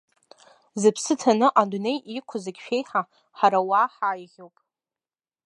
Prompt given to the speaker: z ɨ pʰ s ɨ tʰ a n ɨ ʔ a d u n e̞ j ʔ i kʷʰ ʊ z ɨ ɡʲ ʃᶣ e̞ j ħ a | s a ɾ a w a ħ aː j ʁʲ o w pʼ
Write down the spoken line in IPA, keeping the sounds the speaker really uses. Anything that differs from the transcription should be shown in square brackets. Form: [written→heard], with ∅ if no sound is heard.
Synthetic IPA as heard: z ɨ pʰ s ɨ tʰ a n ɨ ʔ a d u n e̞ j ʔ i kʷʰ ʊ z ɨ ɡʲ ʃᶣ e̞ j ħ a | [s→ħ] a ɾ a w a ħ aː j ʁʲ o w pʼ